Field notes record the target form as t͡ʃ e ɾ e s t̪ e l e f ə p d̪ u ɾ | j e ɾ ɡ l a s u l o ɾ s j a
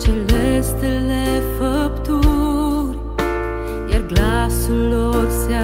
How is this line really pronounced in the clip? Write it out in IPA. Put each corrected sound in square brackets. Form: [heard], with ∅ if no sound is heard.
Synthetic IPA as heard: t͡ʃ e [l] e s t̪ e l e f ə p [t̪] u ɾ | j [a] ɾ ɡ l a s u l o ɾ s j a